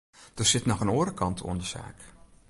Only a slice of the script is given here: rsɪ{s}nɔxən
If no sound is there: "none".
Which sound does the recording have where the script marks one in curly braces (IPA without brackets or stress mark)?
t